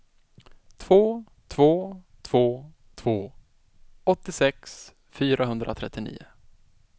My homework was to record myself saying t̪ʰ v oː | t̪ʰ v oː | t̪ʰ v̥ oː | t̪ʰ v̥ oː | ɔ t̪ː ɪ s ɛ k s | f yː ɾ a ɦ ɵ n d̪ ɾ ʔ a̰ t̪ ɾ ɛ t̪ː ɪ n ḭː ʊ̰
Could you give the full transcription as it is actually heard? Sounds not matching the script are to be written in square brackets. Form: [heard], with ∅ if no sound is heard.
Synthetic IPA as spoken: t̪ʰ v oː | t̪ʰ v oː | t̪ʰ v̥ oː | t̪ʰ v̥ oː | ɔ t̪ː ɪ s ɛ k s | f yː ɾ a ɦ ɵ n d̪ ɾ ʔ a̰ [t̪ʰ] ɾ ɛ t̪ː ɪ n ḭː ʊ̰